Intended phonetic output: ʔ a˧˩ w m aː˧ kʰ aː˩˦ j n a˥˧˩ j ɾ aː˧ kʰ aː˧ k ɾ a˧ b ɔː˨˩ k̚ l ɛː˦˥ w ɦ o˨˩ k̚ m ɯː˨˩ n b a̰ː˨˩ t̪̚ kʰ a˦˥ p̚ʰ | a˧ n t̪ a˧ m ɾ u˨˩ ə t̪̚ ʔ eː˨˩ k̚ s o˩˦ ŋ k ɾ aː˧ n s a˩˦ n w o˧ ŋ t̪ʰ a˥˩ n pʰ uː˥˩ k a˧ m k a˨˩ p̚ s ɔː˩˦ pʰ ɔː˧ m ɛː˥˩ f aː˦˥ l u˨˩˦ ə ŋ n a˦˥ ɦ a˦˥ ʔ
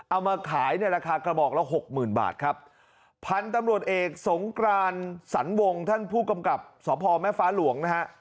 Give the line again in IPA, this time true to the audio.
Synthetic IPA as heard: ʔ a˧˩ w m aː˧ kʰ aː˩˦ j n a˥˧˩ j ɾ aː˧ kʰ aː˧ k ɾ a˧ b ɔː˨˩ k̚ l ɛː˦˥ w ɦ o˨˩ k̚ m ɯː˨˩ n b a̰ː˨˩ t̪̚ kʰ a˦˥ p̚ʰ | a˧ n t̪ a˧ m ɾ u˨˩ ə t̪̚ ʔ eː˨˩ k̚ s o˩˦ ŋ k ɾ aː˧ n s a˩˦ n w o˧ ŋ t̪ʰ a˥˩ n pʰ uː˥˩ k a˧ m k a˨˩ p̚ s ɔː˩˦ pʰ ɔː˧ m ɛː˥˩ f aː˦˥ l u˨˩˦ ə ŋ n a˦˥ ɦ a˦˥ ʔ